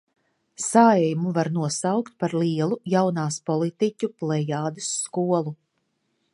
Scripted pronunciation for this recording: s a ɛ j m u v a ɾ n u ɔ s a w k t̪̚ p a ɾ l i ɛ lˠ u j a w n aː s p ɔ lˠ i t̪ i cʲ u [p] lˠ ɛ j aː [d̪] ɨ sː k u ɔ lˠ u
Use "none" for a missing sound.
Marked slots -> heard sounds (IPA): p, d̪

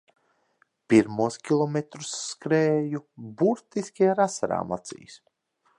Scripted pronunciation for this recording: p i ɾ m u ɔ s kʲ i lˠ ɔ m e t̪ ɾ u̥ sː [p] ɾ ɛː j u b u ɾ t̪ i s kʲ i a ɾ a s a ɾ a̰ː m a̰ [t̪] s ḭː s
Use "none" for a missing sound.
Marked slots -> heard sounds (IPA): k, t̪

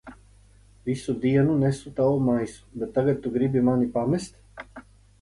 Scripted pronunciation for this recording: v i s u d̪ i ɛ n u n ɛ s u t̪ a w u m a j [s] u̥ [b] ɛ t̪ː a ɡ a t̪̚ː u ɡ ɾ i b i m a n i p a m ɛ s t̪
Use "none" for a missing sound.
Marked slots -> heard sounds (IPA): s, b

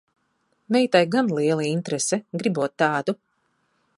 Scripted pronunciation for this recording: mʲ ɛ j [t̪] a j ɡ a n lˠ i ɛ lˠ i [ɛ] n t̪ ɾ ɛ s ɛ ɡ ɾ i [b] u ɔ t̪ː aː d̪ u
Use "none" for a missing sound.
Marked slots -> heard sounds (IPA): t̪, i, b

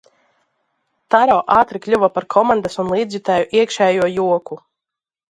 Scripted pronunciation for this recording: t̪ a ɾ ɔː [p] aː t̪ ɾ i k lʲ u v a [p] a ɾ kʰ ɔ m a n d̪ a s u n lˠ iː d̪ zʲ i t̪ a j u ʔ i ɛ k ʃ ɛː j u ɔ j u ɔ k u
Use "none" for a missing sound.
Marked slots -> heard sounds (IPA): ʔ, p

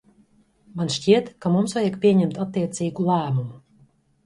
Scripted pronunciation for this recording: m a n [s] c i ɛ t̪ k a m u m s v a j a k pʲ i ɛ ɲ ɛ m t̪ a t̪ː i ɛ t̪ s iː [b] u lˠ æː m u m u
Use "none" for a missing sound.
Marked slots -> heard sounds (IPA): ʃ, ɡ

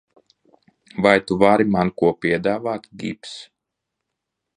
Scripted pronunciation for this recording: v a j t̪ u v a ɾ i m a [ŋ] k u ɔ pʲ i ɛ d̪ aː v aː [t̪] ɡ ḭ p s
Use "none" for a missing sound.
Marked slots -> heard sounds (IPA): n, t̪

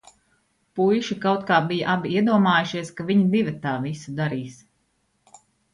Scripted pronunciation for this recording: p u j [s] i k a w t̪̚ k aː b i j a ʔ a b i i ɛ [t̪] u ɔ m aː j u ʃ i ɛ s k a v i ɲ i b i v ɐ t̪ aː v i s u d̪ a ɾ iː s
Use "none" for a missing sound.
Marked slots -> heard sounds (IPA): ʃ, d̪

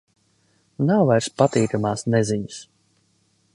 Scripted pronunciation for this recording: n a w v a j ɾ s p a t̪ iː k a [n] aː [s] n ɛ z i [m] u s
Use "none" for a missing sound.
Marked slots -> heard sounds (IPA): m, s, ɲ

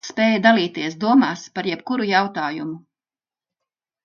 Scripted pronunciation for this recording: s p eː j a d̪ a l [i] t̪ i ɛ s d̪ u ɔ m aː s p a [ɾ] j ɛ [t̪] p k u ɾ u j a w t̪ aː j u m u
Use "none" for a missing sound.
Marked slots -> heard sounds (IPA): iː, ɾ, none

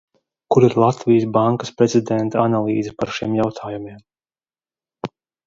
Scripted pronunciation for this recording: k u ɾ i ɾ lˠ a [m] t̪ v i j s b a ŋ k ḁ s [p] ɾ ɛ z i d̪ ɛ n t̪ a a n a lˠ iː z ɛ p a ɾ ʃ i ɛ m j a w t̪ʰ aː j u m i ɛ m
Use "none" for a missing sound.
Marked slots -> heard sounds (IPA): none, p

